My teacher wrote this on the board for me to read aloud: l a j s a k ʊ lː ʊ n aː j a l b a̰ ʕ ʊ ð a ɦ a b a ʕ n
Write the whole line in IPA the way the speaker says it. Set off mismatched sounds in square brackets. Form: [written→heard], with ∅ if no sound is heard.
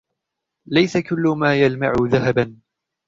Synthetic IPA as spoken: l a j s a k ʊ lː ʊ [n→m] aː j a l [b→m] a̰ ʕ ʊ ð a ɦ a b a [ʕ→∅] n